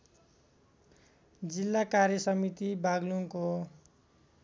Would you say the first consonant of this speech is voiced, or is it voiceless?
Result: voiced